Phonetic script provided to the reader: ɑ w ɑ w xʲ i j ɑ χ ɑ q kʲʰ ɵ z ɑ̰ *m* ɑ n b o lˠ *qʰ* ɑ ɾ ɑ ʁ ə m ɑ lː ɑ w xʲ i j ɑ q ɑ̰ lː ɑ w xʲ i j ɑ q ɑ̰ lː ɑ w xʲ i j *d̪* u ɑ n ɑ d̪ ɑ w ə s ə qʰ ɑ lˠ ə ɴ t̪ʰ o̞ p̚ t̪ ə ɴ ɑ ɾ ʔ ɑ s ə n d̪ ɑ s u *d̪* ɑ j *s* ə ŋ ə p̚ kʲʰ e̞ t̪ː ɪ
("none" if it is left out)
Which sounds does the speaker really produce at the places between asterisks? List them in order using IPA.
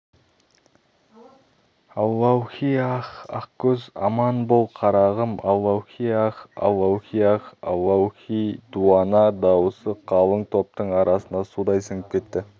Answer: m, qʰ, d̪, d̪, s

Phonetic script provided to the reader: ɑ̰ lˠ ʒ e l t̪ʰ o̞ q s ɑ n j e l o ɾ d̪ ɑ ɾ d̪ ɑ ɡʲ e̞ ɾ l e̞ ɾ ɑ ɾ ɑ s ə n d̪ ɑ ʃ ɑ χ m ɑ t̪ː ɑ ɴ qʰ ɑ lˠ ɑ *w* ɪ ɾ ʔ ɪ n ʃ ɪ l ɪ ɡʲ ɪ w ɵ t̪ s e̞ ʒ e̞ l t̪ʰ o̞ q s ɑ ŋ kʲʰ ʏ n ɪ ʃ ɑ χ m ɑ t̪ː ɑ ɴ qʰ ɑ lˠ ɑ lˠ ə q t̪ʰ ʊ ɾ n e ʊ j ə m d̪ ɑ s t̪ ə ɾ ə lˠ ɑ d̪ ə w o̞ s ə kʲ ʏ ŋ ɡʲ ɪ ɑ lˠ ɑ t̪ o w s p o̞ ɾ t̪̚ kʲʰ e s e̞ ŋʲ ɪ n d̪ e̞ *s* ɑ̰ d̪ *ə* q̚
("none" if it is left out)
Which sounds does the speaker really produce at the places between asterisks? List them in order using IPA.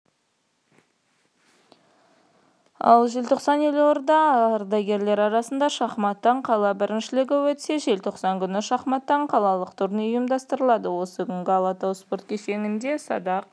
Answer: b, s, ɑ

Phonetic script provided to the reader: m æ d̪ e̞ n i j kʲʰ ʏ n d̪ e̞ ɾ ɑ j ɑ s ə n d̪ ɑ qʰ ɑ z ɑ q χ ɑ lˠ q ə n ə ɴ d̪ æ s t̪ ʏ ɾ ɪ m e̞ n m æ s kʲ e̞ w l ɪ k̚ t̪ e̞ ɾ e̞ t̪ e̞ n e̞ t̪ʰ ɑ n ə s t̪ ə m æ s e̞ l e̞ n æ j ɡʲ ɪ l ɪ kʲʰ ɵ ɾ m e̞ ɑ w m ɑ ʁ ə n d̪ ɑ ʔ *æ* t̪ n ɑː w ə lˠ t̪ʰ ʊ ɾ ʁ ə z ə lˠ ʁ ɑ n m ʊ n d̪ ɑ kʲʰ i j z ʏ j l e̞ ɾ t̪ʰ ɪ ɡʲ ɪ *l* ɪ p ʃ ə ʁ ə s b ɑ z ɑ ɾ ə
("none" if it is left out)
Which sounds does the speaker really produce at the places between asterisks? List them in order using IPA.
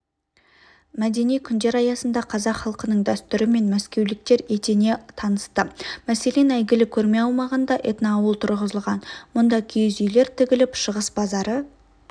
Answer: e, l

